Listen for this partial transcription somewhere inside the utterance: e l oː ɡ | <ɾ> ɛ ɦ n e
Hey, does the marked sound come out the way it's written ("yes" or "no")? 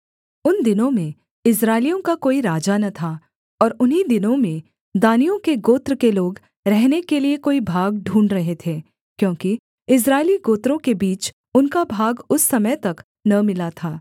yes